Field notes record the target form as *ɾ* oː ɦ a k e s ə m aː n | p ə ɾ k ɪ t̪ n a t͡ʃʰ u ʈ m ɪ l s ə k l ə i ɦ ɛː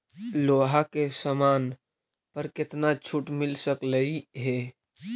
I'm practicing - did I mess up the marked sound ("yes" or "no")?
yes